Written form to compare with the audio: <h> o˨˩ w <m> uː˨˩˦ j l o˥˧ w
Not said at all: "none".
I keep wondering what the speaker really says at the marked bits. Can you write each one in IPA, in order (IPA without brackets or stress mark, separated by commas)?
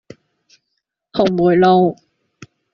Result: h, m